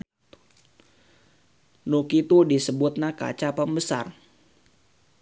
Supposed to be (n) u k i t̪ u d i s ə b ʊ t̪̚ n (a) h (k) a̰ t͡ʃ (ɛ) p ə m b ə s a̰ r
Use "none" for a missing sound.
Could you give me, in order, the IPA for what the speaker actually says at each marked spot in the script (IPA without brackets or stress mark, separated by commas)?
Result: n, a, k, a